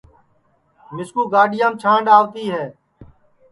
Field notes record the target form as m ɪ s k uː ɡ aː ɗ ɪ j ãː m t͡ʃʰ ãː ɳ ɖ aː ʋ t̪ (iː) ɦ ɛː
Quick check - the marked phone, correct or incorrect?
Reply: correct